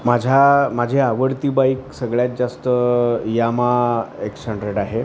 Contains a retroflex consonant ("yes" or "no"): yes